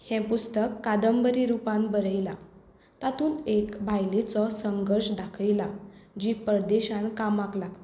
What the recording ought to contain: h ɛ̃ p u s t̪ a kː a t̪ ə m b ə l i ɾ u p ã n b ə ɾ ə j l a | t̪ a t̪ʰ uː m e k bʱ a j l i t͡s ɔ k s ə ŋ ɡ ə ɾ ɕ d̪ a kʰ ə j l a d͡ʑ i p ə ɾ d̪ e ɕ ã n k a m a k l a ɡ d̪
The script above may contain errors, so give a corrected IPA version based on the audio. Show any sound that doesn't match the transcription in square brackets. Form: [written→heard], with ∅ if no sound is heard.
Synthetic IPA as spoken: h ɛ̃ p u s t̪ [a→ə] kː a [t̪→d̪] ə m b ə [l→ɾ] i ɾ u p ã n b ə ɾ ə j l a | t̪ a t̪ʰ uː [m→n] e k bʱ a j l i t͡s ɔ [k→∅] s ə ŋ ɡ ə ɾ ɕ d̪ a kʰ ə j l a d͡ʑ i p ə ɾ d̪ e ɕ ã n k a m a k l a ɡ [d̪→t̪]